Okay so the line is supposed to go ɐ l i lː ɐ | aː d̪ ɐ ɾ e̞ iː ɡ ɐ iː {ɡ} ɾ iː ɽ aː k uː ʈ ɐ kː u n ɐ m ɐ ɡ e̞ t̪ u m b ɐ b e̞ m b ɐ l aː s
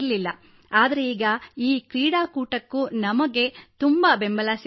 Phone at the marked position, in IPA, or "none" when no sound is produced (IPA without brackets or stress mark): k